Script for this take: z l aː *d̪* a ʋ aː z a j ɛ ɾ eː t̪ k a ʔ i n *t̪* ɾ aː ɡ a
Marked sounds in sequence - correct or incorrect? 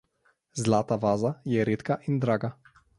incorrect: t̪, incorrect: d̪

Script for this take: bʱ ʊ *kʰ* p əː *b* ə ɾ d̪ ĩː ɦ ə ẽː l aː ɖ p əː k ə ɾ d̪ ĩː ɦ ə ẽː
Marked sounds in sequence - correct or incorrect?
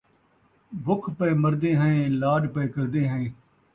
correct, incorrect: m

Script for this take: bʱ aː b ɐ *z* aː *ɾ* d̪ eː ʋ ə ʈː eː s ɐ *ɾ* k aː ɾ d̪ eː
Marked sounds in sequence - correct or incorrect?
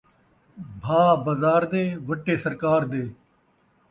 correct, correct, correct

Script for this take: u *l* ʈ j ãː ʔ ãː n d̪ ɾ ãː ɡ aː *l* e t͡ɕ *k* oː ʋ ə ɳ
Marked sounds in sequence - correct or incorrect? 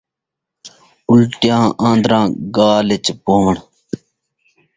correct, correct, incorrect: p

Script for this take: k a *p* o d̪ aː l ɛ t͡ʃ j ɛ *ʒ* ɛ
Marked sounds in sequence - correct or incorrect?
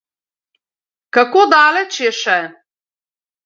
incorrect: k, incorrect: ʃ

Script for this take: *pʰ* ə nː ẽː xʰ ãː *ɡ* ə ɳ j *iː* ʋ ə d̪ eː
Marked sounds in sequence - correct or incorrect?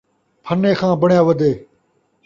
correct, incorrect: b, incorrect: aː

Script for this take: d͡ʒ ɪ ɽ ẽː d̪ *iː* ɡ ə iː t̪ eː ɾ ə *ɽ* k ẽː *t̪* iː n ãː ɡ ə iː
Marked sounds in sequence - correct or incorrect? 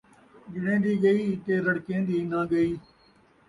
correct, correct, incorrect: d̪

